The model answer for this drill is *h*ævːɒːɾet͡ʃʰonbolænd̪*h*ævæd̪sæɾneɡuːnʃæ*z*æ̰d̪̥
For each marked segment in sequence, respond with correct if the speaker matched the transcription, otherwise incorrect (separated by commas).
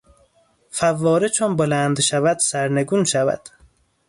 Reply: incorrect, incorrect, incorrect